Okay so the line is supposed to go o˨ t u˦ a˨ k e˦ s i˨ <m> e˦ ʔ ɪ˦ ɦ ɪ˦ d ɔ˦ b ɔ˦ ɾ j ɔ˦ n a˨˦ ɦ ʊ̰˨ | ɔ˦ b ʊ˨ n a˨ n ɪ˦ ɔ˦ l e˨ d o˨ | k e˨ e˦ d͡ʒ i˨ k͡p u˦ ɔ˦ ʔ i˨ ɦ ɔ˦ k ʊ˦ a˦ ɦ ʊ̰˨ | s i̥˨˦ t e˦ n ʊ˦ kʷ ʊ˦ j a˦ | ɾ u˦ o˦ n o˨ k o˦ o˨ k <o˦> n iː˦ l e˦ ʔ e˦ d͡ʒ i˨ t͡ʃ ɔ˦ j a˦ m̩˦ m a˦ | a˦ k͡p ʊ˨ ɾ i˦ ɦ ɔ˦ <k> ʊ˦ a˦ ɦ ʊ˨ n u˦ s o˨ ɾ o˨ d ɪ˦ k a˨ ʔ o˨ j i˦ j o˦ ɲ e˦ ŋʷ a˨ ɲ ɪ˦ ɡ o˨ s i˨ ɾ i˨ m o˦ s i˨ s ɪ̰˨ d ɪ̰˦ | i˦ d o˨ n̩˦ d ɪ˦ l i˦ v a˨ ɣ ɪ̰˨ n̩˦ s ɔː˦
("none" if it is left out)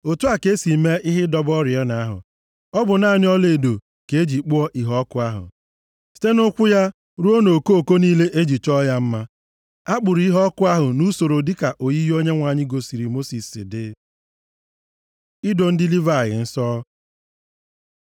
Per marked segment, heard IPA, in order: m, o˦, k

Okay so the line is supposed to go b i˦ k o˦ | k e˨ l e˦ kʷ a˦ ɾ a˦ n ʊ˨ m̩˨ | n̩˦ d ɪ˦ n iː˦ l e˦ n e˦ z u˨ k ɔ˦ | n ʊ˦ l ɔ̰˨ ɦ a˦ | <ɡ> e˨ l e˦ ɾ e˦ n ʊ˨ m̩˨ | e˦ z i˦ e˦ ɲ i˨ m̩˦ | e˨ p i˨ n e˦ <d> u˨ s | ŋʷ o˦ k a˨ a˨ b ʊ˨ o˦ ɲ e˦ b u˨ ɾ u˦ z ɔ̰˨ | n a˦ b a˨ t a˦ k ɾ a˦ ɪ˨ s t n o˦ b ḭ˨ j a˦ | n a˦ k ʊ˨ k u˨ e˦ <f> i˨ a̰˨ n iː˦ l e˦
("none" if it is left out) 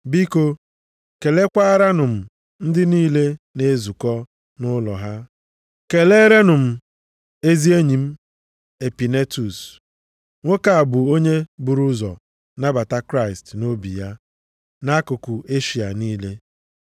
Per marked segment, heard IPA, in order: k, t, ʃ

